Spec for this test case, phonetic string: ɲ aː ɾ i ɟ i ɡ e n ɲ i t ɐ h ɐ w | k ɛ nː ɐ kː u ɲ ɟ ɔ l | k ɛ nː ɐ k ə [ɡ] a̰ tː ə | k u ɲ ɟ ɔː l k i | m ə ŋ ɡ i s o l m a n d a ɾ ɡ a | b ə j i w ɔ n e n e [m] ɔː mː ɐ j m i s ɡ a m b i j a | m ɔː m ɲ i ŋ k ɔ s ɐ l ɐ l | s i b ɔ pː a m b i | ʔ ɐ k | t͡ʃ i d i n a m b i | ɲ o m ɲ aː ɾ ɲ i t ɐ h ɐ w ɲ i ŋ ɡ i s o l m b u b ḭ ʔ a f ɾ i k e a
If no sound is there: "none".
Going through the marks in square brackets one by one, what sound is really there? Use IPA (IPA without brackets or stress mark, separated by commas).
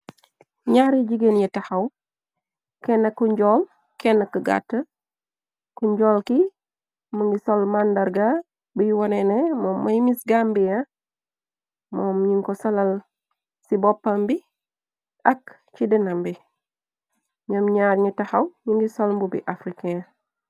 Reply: ɡ, m